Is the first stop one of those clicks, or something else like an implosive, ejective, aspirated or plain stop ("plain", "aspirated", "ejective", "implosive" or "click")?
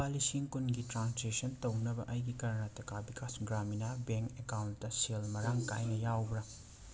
plain